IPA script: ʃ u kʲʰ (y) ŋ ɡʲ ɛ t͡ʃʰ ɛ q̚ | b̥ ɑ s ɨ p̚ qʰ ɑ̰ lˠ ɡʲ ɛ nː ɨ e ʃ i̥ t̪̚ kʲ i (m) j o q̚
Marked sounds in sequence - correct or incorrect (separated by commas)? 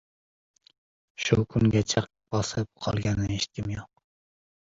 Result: correct, correct